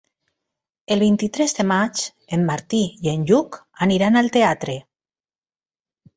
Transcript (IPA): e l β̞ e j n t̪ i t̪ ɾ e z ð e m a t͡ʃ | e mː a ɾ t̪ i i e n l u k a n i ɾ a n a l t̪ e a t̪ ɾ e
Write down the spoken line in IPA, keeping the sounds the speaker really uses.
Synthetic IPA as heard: e l β̞ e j n t̪ i t̪ ɾ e z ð e m a t͡ʃ | e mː a ɾ t̪ i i e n ʎ u k a n i ɾ a n a l t̪ e a t̪ ɾ e

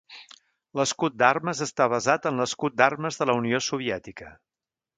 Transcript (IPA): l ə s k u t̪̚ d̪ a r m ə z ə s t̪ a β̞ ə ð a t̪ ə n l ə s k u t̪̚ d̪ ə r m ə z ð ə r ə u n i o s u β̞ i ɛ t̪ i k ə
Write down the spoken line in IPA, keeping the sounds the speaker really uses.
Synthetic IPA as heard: l ə s k u t̪̚ d̪ a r m ə z ə s t̪ a β̞ ə z a t̪ ə n l ə s k u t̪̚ d̪ a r m ə z ð ə l ə u n i o s u β̞ i ɛ t̪ i k ə

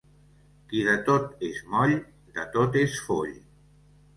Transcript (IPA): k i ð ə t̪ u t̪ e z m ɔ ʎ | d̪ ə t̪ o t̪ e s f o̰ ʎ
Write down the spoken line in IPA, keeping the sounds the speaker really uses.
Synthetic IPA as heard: k i ð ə t̪ o t̪ e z m ɔ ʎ | d̪ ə t̪ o t̪ e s f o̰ ʎ

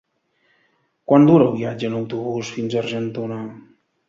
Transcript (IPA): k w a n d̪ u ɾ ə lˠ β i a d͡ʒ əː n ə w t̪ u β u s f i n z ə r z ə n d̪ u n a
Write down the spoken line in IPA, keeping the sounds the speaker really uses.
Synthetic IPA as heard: k w a n d̪ u ɾ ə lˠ β i a d͡ʒ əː n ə w t̪ u β u s f i n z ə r ʒ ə n t̪ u n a

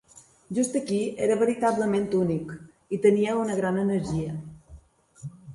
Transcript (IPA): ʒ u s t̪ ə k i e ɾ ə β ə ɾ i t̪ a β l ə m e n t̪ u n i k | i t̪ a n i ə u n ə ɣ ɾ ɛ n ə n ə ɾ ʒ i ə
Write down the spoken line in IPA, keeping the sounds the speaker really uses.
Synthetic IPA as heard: ʒ u s t̪ ə k i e ɾ ə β ə ɾ i t̪ a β l ə m e n t̪ u n i k | i t̪ ə n i ə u n ə ɣ ɾ a n ə n ə ɾ ʒ i ə

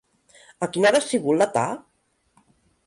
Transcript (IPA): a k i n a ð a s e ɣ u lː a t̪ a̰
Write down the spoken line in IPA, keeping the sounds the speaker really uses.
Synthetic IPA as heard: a k i n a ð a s i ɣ u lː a t̪ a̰

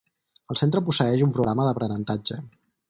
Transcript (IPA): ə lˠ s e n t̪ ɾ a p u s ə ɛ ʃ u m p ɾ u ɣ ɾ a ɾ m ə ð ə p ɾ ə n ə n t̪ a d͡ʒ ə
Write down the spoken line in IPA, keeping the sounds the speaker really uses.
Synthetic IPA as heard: ə lˠ s e n t̪ ɾ ə p u s ə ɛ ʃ u m p ɾ u ɣ ɾ a m ə ð ə p ɾ ə n ə n t̪ a d͡ʒ ə

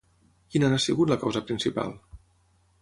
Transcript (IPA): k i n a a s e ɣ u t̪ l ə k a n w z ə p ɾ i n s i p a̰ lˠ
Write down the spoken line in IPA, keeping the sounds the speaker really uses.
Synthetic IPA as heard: k i n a a s i ɣ u t̪ l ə k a w z ə p ɾ i n s i p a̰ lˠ

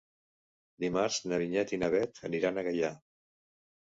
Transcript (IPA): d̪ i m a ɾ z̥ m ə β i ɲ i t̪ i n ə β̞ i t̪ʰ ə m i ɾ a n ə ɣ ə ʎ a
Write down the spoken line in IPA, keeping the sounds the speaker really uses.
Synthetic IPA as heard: d̪ i m a ɾ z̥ n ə β i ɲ ɛ t̪ i n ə β̞ ɛ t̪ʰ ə n i ɾ a n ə ɣ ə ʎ a

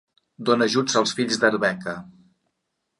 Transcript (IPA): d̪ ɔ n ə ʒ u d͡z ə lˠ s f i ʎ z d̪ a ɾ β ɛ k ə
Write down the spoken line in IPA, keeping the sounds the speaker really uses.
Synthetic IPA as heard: d̪ o n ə ʒ u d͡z ə lˠ s f i ʎ z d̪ ə ɾ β ɛ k ə

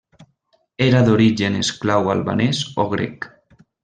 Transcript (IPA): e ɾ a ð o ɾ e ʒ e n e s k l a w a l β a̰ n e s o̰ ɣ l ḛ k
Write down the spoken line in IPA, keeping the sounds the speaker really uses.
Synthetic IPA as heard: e ɾ a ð o ɾ i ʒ e n e s k l a w a l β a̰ n e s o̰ ɣ ɾ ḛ k

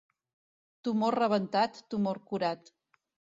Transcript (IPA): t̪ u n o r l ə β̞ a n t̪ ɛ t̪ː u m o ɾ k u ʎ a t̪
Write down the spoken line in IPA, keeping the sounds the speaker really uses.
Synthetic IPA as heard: t̪ u m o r r ə β̞ ə n t̪ a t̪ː u m o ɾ k u ɾ a t̪

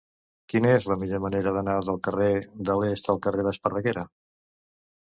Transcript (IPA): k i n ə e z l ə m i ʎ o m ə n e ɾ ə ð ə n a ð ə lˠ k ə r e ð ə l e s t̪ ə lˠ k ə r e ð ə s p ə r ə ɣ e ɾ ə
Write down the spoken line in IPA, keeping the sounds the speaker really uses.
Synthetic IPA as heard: k i n ə e z l ə m i ʎ o m ə n e ɾ ə ð ə n a ð ə lˠ k ə r e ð ə l e s t̪ ə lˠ k ə r e ð ə s p ə r ə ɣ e ɾ ə

